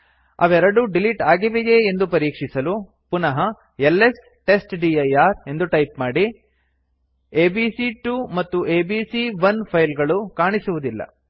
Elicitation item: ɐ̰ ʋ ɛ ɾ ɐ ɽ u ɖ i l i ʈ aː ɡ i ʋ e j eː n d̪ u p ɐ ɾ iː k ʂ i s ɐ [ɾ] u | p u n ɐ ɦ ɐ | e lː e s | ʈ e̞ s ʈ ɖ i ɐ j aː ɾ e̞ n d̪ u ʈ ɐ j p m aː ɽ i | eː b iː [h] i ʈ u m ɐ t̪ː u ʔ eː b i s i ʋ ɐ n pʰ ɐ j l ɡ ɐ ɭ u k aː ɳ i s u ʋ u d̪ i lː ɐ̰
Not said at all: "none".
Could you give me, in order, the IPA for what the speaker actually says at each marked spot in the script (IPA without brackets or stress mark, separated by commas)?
l, s